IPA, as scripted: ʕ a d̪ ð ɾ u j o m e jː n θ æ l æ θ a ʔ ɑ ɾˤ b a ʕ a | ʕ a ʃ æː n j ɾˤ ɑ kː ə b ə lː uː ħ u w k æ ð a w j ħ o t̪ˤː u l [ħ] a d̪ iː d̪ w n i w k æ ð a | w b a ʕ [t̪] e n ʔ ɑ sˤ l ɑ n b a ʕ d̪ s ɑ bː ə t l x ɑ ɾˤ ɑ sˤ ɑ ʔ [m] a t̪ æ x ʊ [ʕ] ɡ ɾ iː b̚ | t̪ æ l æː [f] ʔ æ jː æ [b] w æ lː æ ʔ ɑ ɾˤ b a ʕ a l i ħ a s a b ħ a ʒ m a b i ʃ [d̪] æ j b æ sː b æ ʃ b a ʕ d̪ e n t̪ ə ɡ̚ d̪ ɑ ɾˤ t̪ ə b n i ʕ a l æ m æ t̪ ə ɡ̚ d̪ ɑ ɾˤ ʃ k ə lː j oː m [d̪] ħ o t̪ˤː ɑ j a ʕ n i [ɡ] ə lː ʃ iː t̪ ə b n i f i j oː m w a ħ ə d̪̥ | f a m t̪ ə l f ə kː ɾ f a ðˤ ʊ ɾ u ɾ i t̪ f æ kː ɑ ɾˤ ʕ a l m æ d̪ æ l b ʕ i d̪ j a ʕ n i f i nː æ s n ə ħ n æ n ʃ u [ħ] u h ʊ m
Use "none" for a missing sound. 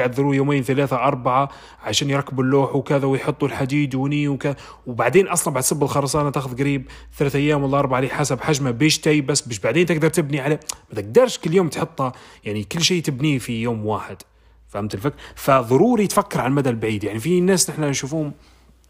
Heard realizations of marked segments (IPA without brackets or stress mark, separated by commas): ħ, d̪, n, ð, θ, m, t̪, t̪, k, f